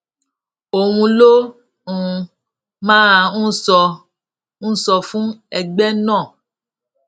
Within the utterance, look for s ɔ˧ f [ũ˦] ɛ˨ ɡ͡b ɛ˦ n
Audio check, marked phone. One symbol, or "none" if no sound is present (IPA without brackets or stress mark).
ũ˦